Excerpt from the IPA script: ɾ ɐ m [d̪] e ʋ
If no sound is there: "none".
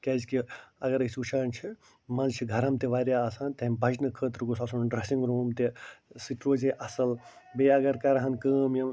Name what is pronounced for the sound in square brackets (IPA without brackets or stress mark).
t̪